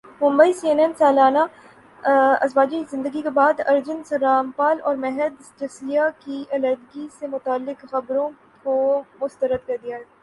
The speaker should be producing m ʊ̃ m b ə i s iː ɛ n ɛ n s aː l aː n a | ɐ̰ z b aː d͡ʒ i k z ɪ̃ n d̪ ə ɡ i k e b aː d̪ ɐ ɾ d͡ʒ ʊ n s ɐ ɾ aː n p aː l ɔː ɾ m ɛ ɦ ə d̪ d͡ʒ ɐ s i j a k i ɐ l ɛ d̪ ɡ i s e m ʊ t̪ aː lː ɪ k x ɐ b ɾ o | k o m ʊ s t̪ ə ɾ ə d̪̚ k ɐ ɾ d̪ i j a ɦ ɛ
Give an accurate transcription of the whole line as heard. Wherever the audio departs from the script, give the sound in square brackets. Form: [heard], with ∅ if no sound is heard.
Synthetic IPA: m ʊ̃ m b ə i s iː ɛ n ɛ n s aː l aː n a | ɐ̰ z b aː d͡ʒ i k z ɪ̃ n d̪ ə ɡ i k e b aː d̪ ɐ ɾ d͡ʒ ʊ n s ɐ ɾ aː [m] p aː l ɔː ɾ m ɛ ɦ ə d̪ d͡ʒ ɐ s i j a k i ɐ l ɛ d̪ ɡ i s e m ʊ t̪ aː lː ɪ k x ɐ b ɾ [õ] | k o m ʊ s t̪ ə ɾ ə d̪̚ k ɐ ɾ d̪ i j a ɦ ɛ

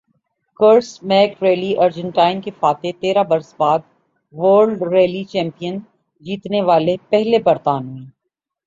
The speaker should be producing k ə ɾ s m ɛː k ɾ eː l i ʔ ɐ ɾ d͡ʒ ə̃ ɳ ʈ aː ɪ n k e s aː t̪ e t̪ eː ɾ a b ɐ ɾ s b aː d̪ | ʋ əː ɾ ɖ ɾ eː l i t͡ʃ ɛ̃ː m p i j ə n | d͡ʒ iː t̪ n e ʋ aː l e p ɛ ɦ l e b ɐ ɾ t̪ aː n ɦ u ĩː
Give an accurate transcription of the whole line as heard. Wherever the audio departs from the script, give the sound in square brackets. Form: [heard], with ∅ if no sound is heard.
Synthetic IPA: k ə ɾ s m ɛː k ɾ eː l i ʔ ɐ ɾ d͡ʒ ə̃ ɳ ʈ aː ɪ n k e [f] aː t̪ e t̪ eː ɾ a b ɐ ɾ s b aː d̪ | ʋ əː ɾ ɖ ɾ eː l i t͡ʃ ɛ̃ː m p i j ə n | d͡ʒ iː t̪ n e ʋ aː l e p ɛ ɦ l e b ɐ ɾ t̪ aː n ɦ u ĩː

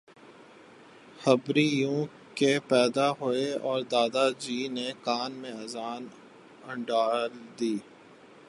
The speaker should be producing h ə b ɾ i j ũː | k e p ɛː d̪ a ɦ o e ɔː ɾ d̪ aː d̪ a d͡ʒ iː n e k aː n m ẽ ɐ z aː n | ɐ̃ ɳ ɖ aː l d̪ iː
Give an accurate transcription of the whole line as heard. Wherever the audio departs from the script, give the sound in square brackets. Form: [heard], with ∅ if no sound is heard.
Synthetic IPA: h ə b ɾ i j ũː | k e p ɛː d̪ a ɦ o e ɔː ɾ d̪ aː d̪ a d͡ʒ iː n e k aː n m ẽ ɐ z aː n | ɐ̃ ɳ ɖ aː l d̪ iː

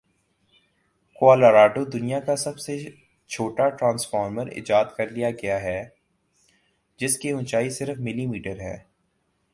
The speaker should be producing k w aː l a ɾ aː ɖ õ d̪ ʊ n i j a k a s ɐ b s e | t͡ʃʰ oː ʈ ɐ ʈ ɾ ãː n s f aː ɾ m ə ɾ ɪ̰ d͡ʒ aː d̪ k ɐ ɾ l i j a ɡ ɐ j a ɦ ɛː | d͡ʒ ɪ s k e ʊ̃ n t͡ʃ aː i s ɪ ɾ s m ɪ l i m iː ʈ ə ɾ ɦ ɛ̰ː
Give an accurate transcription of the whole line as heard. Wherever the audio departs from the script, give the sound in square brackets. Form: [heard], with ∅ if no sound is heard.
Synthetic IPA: k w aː l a ɾ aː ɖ [o] d̪ ʊ n i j a k a s ɐ b s e | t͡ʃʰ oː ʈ [a] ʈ ɾ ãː n s f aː ɾ m ə ɾ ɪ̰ d͡ʒ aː d̪ k ɐ ɾ l i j a ɡ ɐ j a ɦ ɛː | d͡ʒ ɪ s k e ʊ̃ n t͡ʃ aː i s ɪ ɾ [f] m ɪ l i m iː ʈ ə ɾ ɦ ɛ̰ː

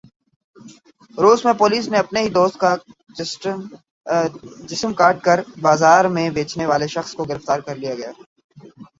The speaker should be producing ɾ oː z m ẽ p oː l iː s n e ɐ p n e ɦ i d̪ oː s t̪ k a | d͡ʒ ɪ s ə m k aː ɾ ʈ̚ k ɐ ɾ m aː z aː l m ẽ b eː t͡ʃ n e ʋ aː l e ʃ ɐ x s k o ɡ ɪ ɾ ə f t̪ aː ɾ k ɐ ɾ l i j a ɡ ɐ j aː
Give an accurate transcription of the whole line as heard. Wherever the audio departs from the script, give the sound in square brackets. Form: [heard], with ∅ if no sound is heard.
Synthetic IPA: ɾ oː z m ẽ p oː l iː s n e ɐ p n e ɦ i d̪ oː s t̪ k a | d͡ʒ ɪ s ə m k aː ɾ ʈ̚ k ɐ ɾ [b] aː z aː [ɾ] m ẽ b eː t͡ʃ n e ʋ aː l e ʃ ɐ x s k o ɡ ɪ ɾ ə f t̪ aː ɾ k ɐ ɾ l i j a ɡ ɐ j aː

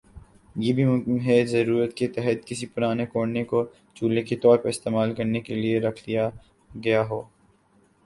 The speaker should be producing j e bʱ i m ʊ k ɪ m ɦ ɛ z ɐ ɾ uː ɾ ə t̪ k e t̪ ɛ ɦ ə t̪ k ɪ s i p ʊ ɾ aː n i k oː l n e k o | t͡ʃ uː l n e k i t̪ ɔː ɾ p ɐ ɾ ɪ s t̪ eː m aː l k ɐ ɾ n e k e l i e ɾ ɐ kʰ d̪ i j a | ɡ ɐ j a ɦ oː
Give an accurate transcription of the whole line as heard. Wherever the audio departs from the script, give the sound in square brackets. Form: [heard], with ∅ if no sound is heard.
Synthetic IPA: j e bʱ i m ʊ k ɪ m ɦ ɛ z ɐ ɾ uː ɾ ə t̪ k e t̪ ɛ ɦ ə t̪ k ɪ s i p ʊ ɾ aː n [e] k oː [ɽ] n e k o | t͡ʃ uː l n e k i t̪ ɔː ɾ p ɐ ɾ ɪ s t̪ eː m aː l k ɐ ɾ n e k e l i e ɾ ɐ kʰ d̪ i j a | ɡ ɐ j a ɦ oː

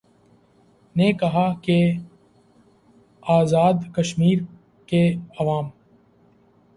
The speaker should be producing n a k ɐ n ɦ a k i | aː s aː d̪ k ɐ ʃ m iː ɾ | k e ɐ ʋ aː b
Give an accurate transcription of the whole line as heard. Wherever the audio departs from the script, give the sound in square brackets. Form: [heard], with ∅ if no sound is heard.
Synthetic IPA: n [e] k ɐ [∅] ɦ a k [e] | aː [z] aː d̪ k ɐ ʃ m iː ɾ | k e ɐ ʋ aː [m]

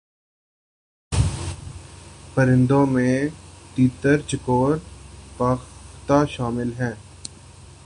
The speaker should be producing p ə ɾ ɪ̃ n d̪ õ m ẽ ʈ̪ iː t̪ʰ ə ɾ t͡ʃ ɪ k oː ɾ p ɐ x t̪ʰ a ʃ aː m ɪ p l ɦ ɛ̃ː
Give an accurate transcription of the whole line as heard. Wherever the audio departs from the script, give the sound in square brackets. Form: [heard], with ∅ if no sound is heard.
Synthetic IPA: p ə ɾ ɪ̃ n d̪ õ m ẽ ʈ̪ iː [t̪] ə ɾ t͡ʃ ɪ k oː ɾ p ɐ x [t̪] a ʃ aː m ɪ [∅] l ɦ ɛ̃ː

